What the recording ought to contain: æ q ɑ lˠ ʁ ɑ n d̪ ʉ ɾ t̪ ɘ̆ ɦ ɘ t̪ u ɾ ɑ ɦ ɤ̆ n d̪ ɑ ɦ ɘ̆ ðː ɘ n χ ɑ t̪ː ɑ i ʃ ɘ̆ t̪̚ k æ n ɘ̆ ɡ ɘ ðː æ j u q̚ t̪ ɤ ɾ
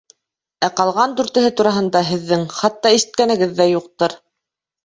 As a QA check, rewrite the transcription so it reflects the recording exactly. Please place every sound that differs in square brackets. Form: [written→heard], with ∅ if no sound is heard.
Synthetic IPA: æ q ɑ lˠ ʁ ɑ n d̪ ʉ ɾ t̪ ɘ̆ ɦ ɘ t̪ u ɾ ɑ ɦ ɤ̆ n d̪ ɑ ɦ ɘ̆ ðː ɘ [n→ŋ] χ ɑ t̪ː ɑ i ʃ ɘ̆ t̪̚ k æ n ɘ̆ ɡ ɘ ðː æ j u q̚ t̪ ɤ ɾ